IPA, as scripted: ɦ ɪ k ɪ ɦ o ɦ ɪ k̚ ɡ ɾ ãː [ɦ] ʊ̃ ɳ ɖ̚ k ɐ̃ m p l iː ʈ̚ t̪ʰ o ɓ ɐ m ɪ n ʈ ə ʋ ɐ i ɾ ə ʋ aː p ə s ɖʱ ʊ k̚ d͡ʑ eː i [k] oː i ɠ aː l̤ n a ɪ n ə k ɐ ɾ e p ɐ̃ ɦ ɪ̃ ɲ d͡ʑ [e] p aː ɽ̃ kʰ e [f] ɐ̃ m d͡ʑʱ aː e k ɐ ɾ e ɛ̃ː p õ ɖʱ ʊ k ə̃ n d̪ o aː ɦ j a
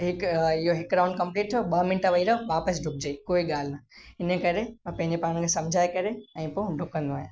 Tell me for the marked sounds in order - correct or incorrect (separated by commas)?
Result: incorrect, correct, correct, incorrect